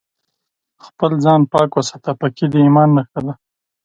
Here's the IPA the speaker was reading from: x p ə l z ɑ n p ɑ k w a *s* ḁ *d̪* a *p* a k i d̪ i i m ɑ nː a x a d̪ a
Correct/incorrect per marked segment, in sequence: correct, incorrect, correct

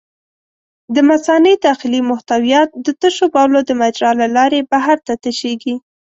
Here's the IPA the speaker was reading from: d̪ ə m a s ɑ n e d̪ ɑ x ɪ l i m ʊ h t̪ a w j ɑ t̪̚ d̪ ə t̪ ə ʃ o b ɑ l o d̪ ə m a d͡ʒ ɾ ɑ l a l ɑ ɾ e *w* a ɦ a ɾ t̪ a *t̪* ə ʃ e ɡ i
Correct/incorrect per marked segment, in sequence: incorrect, correct

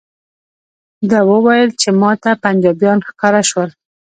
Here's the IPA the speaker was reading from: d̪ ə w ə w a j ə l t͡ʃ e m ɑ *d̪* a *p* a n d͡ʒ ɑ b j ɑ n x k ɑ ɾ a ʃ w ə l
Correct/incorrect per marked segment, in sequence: incorrect, correct

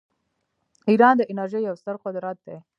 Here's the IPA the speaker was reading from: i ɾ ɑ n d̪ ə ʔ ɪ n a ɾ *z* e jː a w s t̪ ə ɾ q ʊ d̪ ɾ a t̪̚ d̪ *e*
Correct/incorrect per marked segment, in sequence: incorrect, correct

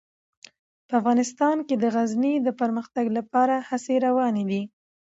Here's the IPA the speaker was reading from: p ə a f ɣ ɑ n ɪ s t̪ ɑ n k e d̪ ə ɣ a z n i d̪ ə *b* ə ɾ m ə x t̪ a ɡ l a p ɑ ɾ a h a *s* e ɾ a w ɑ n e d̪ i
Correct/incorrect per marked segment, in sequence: incorrect, correct

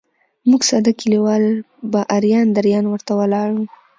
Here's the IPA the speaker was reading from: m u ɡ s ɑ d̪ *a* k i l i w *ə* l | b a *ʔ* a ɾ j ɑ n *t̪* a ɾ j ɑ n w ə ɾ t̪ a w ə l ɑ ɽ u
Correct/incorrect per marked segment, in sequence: correct, incorrect, correct, incorrect

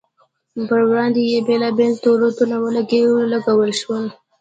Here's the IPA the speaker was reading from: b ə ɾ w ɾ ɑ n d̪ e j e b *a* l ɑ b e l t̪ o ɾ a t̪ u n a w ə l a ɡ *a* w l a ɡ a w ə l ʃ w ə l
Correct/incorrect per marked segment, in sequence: incorrect, incorrect

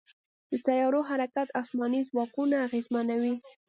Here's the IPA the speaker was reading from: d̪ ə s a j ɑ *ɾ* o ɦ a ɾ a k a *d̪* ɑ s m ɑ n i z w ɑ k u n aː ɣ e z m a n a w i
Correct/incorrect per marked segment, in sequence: correct, incorrect

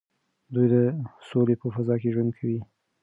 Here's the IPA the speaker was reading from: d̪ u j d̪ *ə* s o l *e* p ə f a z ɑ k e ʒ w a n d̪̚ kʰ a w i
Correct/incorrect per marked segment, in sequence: correct, correct

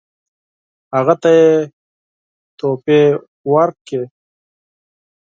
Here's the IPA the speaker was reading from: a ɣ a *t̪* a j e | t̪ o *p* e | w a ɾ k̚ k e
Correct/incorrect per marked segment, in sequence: correct, correct

